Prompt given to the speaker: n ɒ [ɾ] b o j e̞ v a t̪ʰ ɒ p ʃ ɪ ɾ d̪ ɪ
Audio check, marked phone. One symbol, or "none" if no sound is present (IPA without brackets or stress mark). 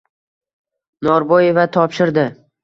ɾ